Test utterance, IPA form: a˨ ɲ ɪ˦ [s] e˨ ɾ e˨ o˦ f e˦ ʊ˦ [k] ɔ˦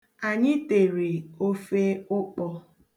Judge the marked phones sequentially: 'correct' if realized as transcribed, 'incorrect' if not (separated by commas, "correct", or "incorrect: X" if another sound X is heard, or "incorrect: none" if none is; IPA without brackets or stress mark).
incorrect: t, incorrect: k͡p